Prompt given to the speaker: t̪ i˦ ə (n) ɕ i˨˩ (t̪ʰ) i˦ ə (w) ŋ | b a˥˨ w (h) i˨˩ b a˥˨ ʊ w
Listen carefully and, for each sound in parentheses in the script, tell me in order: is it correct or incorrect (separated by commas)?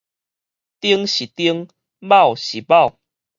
incorrect, incorrect, incorrect, incorrect